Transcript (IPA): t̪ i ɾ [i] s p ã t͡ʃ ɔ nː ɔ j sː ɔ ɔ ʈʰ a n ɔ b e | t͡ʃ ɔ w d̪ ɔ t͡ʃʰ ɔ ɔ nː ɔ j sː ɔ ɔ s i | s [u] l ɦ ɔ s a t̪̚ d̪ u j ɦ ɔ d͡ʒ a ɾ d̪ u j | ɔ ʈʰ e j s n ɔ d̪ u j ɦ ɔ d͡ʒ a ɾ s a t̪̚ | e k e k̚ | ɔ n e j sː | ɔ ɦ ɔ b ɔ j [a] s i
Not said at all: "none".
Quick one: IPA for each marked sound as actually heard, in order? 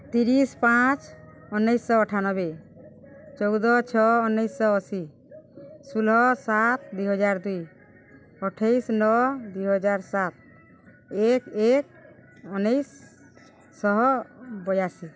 i, u, a

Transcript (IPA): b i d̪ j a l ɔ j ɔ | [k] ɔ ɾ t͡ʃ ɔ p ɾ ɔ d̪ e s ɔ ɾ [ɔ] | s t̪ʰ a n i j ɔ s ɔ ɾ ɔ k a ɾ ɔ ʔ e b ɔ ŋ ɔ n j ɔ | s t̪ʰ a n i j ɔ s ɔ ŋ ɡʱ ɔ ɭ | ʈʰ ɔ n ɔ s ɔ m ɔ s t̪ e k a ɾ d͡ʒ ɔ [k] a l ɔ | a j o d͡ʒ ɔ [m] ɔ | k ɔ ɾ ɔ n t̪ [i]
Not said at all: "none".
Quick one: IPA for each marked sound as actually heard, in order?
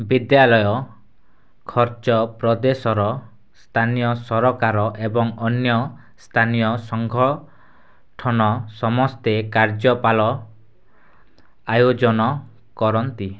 kʰ, ɔ, p, n, i

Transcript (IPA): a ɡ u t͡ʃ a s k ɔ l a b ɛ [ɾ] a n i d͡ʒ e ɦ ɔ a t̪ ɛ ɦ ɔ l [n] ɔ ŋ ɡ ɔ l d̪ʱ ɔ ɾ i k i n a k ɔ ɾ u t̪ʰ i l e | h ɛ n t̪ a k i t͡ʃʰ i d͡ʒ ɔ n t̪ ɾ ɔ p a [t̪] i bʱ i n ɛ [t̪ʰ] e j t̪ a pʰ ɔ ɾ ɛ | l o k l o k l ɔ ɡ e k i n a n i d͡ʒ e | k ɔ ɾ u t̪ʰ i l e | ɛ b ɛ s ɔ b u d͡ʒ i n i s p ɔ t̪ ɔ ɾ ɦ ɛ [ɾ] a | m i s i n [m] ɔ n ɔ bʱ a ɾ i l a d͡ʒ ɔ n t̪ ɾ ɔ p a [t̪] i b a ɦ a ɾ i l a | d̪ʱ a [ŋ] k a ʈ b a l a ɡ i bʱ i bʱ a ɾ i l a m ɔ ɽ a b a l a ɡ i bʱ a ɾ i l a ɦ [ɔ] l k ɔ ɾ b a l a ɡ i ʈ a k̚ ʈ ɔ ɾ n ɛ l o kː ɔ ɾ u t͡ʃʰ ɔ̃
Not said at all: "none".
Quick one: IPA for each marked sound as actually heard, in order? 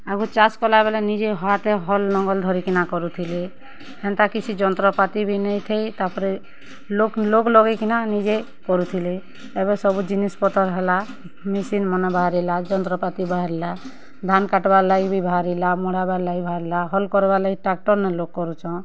l, n, t̪, t̪ʰ, l, m, t̪, n, ɔ

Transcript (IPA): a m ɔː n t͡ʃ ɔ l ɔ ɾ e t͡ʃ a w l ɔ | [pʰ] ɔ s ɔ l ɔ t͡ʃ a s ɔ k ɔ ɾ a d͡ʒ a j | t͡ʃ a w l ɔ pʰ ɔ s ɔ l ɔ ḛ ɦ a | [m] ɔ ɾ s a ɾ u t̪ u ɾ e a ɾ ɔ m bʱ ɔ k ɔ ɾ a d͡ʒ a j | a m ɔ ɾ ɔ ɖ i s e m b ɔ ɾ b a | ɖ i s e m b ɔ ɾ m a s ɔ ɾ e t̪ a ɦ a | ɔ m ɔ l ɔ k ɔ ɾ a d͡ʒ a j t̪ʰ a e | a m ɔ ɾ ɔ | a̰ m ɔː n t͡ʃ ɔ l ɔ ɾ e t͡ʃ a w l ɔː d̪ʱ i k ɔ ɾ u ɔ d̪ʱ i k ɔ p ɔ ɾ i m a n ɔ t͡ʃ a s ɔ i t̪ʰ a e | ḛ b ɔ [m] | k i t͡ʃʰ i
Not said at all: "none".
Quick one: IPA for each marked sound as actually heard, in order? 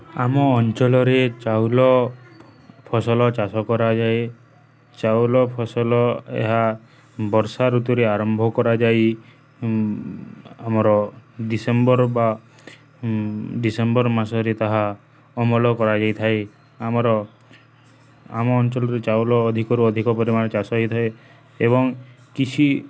pʰ, b, ŋ

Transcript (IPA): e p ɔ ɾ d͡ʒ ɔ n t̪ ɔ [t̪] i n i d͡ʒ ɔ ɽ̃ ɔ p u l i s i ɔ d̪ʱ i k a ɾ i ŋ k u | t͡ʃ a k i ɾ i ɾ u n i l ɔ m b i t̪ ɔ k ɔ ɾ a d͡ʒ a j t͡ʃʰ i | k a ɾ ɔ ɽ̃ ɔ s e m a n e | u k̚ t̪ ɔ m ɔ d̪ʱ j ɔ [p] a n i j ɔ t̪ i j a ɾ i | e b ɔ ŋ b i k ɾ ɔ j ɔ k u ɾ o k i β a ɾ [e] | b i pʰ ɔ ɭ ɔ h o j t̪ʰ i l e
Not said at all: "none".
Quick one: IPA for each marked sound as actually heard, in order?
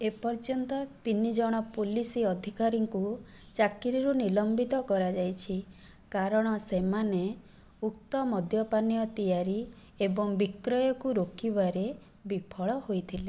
t̪, p, e

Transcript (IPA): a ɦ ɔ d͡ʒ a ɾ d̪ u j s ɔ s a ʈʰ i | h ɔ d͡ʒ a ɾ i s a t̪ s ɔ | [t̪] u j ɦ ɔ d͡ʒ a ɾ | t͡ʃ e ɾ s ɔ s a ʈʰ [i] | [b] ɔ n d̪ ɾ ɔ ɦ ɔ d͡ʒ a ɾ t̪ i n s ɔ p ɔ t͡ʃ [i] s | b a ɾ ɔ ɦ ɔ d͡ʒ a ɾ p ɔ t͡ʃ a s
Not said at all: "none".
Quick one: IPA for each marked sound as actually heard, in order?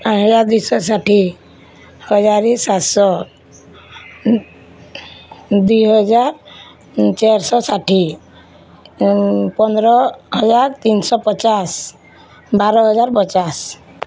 d̪, i, p, a

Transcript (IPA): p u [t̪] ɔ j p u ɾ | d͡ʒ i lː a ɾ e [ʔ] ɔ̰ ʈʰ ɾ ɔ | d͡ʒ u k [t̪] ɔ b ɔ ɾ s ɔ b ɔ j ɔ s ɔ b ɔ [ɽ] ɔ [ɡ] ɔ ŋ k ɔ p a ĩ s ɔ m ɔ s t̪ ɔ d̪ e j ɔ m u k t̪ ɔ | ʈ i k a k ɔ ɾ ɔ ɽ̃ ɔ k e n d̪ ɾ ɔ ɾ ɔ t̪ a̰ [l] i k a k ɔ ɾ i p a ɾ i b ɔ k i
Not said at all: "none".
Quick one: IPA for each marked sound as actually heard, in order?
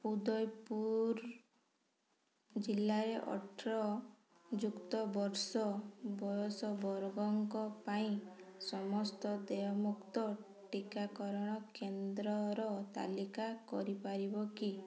d̪, ʔ, t̪, ɾ, ɡ, l

